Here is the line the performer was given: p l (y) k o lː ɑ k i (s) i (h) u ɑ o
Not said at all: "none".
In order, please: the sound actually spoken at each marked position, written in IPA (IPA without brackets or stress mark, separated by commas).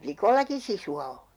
i, s, s